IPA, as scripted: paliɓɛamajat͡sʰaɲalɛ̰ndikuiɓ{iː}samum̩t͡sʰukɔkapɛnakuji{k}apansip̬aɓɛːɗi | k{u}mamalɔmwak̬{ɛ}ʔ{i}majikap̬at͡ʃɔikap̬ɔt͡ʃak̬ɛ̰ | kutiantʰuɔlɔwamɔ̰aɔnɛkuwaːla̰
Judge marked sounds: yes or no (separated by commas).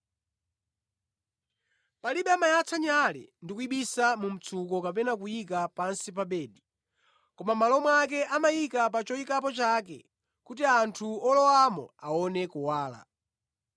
no, yes, no, yes, no